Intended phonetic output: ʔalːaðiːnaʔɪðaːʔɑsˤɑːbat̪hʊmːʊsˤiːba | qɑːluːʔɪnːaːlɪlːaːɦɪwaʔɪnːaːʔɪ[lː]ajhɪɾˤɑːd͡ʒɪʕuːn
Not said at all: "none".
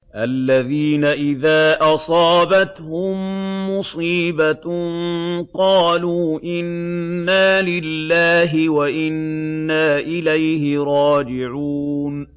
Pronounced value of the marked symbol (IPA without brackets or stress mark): l